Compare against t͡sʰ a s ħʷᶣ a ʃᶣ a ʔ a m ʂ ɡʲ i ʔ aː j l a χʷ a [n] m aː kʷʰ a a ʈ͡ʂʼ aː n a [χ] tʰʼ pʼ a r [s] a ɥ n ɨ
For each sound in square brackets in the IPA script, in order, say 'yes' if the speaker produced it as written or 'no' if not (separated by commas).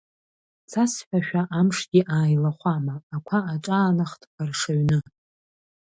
no, yes, no